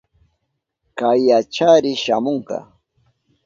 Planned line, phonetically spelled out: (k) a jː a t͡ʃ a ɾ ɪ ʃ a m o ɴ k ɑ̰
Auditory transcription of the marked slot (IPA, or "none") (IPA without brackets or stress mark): k